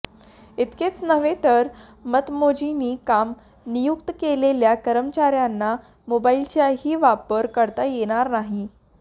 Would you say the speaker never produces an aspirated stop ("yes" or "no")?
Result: yes